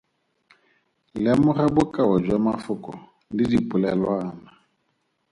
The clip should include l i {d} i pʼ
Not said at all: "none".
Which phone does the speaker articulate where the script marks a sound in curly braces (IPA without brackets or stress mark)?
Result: d